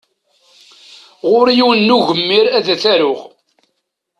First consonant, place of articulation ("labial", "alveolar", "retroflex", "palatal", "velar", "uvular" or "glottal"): uvular